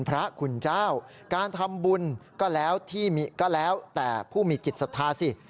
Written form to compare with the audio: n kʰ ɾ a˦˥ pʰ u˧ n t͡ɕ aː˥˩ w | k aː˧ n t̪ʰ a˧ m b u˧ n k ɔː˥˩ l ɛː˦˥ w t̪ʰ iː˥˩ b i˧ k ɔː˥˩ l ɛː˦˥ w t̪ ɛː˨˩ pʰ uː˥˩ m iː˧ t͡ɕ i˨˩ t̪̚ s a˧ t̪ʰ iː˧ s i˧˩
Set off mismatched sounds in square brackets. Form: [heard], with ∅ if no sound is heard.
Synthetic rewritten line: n [pʰ] ɾ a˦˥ [kʰ] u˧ n t͡ɕ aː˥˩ w | k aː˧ n t̪ʰ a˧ m b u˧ n k ɔː˥˩ l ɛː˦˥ w t̪ʰ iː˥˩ [m] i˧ k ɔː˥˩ l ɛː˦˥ w t̪ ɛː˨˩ pʰ uː˥˩ m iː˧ t͡ɕ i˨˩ t̪̚ s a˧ t̪ʰ [aː˧] s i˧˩